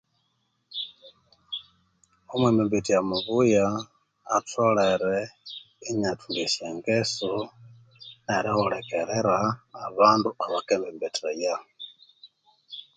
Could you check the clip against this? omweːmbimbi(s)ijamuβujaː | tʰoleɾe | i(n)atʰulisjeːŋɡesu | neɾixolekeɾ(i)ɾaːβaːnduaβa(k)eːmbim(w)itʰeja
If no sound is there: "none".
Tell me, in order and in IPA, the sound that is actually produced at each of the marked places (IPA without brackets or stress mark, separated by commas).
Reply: t, ɲ, e, k, b